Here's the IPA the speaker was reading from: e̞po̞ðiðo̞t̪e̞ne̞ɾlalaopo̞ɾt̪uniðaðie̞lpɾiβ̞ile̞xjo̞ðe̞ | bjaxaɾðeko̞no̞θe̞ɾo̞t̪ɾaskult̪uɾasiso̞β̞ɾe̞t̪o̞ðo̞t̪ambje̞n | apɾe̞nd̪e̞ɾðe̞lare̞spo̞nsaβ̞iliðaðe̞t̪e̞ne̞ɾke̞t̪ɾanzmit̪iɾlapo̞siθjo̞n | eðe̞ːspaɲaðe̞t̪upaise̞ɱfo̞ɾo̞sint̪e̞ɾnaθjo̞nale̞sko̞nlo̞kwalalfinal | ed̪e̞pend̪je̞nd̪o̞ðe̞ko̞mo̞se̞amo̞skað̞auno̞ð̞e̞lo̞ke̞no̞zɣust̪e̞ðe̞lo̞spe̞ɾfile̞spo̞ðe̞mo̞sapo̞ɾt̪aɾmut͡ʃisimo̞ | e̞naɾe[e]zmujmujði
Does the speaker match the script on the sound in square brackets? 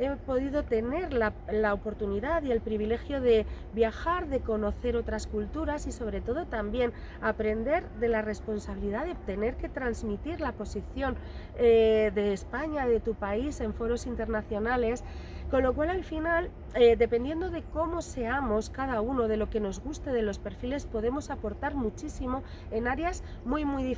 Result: no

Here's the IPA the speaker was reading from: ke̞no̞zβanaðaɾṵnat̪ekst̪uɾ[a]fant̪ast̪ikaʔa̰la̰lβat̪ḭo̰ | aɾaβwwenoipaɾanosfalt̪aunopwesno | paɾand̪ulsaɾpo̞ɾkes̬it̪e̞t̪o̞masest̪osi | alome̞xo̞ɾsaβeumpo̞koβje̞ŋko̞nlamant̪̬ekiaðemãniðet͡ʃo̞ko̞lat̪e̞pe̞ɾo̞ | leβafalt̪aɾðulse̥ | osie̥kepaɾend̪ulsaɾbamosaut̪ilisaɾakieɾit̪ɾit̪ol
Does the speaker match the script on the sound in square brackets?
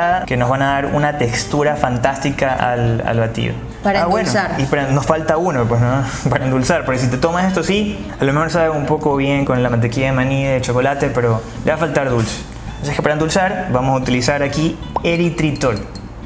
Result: yes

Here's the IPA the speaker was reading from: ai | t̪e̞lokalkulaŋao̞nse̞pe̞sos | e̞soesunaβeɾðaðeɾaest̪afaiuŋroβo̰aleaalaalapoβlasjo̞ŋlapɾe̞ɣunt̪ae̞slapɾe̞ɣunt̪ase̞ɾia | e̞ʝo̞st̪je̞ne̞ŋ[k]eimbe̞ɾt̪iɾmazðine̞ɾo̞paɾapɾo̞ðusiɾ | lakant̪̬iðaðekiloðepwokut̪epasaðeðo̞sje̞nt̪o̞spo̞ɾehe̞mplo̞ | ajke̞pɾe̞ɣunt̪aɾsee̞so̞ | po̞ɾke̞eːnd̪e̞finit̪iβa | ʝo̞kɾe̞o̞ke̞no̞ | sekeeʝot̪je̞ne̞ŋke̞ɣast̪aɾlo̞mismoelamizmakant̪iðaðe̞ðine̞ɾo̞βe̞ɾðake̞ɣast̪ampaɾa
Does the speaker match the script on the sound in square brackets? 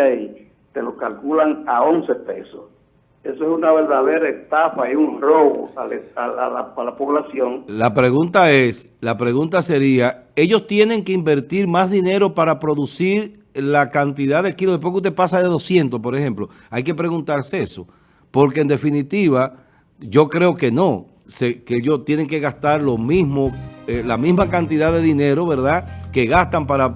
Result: yes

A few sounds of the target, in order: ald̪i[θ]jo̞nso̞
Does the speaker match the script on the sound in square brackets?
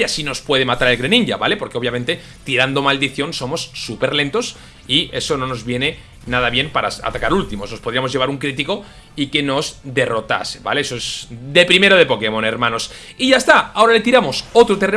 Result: yes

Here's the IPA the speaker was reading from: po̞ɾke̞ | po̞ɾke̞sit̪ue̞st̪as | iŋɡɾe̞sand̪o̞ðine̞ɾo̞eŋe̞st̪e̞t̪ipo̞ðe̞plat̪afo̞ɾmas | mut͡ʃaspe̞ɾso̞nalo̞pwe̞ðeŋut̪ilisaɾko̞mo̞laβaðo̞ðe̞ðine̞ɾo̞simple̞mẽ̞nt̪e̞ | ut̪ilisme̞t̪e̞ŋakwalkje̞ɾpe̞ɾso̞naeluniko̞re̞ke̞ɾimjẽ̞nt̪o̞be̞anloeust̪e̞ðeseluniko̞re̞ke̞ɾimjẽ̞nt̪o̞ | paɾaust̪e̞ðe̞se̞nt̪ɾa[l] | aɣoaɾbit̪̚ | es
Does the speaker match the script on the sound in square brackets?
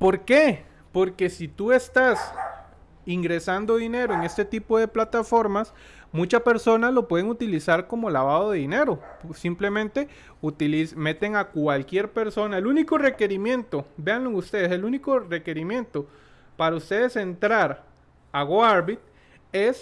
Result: no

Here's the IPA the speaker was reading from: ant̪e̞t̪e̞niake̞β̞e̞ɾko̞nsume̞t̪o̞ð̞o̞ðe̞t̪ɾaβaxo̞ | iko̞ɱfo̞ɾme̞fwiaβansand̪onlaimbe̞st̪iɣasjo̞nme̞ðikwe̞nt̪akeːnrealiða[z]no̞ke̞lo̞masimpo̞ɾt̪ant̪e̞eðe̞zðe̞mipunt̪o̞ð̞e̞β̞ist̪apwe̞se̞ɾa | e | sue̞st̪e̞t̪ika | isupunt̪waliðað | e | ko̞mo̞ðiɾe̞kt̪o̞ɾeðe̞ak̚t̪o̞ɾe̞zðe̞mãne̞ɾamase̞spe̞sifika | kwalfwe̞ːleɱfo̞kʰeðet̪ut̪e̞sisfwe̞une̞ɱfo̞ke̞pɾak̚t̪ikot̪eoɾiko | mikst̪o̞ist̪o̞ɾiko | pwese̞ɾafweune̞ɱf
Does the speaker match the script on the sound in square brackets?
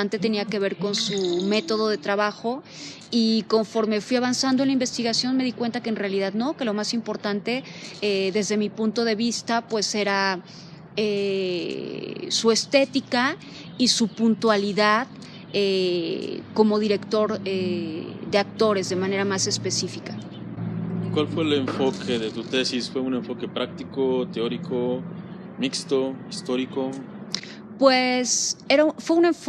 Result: no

